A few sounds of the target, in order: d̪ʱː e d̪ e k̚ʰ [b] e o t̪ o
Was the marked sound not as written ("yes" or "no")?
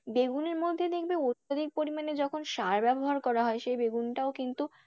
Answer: no